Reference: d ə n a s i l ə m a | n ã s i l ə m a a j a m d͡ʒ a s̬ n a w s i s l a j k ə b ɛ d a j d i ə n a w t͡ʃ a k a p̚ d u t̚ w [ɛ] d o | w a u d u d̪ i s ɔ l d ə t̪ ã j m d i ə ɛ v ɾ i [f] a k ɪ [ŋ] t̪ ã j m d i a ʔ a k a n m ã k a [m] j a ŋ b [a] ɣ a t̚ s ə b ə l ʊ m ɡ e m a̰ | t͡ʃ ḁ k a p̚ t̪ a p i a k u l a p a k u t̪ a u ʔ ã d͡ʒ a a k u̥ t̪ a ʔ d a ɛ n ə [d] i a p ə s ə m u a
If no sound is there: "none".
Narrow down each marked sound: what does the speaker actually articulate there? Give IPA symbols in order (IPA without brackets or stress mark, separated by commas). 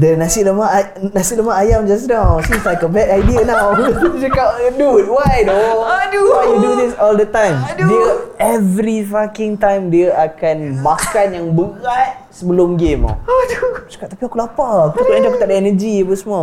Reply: a, f, ŋ, n, ə, d͡ʒ